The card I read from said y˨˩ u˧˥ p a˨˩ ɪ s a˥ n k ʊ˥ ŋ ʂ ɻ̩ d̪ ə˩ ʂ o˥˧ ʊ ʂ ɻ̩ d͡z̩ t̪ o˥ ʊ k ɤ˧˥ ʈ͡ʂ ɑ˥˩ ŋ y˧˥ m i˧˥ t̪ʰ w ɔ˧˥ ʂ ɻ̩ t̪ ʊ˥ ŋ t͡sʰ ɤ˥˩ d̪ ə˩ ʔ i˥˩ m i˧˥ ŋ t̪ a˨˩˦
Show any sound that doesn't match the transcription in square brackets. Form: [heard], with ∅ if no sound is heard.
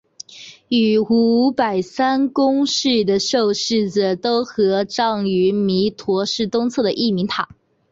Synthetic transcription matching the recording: y˨˩ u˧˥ p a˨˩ ɪ s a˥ n k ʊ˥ ŋ ʂ ɻ̩ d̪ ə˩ ʂ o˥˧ ʊ ʂ ɻ̩ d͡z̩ t̪ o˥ ʊ [x] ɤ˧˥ ʈ͡ʂ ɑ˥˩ ŋ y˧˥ m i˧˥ t̪ʰ w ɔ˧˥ ʂ ɻ̩ t̪ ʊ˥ ŋ t͡sʰ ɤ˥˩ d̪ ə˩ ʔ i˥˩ m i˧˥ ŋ [t̪ʰ] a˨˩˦